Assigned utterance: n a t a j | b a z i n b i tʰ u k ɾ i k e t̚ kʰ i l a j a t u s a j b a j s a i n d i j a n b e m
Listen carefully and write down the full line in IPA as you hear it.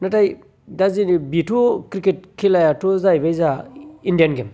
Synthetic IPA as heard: n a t a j | d a z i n b i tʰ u k ɾ i k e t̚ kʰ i l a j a t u z a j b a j z a i n d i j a n ɡ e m